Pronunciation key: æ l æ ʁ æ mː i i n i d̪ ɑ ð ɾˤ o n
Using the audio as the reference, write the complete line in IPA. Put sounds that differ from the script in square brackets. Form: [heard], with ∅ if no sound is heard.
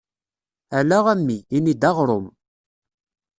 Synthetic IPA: æ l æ ʁ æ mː i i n i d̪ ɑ [ʁ] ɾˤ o [m]